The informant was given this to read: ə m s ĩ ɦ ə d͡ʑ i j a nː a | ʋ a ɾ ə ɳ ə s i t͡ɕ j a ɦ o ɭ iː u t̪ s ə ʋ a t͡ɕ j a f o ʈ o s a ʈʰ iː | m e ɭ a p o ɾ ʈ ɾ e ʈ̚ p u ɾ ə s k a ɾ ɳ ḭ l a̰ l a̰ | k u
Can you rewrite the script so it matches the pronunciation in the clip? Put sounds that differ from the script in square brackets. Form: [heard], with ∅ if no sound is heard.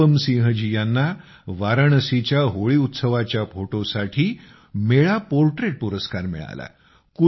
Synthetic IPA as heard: ə m s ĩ ɦ ə d͡ʑ i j a nː a | ʋ a ɾ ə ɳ ə s i t͡ɕ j a ɦ o ɭ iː u t̪ s ə ʋ a t͡ɕ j a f o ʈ o s a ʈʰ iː | m e ɭ a p o ɾ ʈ ɾ e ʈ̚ p u ɾ ə s k a ɾ [m] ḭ [ɭ] a̰ l a̰ | k u